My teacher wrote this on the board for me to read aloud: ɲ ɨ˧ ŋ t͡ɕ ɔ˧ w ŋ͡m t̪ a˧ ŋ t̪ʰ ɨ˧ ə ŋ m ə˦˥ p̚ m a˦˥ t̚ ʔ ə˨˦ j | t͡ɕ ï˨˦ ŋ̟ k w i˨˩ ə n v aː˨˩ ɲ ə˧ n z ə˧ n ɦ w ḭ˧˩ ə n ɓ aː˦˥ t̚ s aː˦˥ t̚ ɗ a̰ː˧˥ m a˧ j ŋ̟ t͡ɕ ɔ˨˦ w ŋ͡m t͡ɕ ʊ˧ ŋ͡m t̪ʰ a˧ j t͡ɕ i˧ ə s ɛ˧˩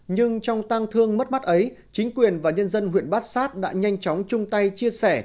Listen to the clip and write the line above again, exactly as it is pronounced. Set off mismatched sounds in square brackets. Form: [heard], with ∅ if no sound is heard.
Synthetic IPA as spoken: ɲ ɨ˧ ŋ t͡ɕ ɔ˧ w ŋ͡m t̪ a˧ ŋ t̪ʰ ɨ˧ ə ŋ m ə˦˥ [t̚] m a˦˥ t̚ ʔ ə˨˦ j | t͡ɕ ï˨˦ ŋ̟ k w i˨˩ ə n v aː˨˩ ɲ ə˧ n z ə˧ n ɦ w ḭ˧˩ ə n ɓ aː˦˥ t̚ s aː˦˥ t̚ ɗ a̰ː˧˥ [ɲ] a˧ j ŋ̟ t͡ɕ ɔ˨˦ w ŋ͡m t͡ɕ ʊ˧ ŋ͡m [t̪] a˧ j t͡ɕ i˧ ə s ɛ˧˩

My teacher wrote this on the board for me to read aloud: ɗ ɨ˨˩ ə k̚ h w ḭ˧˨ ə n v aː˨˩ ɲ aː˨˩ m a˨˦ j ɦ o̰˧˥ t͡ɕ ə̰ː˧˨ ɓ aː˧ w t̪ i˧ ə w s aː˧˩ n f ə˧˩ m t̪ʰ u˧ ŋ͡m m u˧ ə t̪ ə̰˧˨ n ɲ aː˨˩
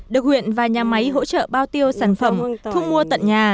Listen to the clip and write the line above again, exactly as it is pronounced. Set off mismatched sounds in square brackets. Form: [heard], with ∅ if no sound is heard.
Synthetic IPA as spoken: ɗ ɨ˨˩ ə k̚ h w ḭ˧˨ ə n v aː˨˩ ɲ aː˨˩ m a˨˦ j ɦ o̰˧˥ t͡ɕ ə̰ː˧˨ ɓ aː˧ w t̪ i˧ ə w s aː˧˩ n f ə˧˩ m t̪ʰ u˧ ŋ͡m m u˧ ə t̪ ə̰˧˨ n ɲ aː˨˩

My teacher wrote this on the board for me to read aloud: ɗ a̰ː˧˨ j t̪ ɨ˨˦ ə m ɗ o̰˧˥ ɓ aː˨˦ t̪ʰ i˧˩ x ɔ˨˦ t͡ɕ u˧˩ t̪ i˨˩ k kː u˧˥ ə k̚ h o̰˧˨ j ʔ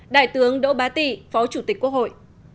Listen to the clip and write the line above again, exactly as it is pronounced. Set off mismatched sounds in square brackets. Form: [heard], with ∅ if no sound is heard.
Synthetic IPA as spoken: ɗ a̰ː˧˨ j t̪ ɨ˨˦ ə [ŋ] ɗ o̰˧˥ ɓ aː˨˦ [t̪] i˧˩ [f] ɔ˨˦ t͡ɕ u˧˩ t̪ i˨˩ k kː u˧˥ ə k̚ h o̰˧˨ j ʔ

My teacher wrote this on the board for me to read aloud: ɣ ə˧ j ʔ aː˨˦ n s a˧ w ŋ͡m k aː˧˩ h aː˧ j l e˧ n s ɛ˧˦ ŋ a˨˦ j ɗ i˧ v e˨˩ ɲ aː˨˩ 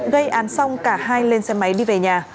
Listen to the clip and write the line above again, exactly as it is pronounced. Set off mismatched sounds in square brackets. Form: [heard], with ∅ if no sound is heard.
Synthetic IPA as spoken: ɣ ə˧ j ʔ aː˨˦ n s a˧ w ŋ͡m k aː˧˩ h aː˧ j l e˧ n s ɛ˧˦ [m] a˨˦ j ɗ i˧ v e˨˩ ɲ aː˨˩

